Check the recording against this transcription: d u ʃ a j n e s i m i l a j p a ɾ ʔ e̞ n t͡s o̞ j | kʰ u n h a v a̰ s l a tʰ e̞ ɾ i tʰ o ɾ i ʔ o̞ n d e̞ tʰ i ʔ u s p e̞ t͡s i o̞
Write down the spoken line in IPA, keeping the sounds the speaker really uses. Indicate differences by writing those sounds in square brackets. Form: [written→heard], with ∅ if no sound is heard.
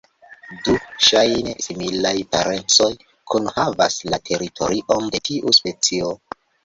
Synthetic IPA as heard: d u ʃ a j n e s i m i l a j p a ɾ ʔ e̞ n t͡s o̞ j | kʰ u n h a v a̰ s l a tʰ e̞ ɾ i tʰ o ɾ i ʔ o̞ n d e̞ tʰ i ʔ u s p e̞ t͡s i o̞